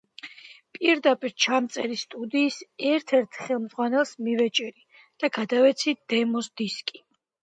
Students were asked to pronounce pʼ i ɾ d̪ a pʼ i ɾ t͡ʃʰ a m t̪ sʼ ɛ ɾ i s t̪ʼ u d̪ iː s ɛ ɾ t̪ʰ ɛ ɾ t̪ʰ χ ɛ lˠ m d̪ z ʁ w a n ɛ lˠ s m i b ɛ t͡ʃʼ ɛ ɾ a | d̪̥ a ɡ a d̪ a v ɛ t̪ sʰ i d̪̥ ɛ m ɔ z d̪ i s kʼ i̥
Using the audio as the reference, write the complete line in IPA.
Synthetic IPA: pʼ i ɾ d̪ a pʼ i ɾ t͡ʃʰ a m t̪ sʼ ɛ ɾ i s t̪ʼ u d̪ iː s ɛ ɾ t̪ʰ ɛ ɾ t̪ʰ χ ɛ lˠ m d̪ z ʁ w a n ɛ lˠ s m i v ɛ t͡ʃʼ ɛ ɾ i | d̪̥ a ɡ a d̪ a v ɛ t̪ sʰ i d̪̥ ɛ m ɔ s d̪ i s kʼ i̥